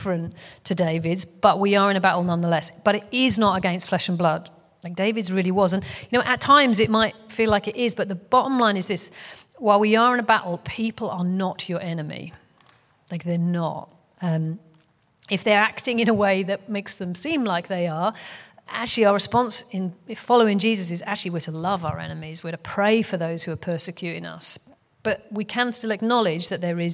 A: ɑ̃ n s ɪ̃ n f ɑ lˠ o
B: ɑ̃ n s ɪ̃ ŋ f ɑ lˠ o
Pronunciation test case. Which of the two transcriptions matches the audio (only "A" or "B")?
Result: A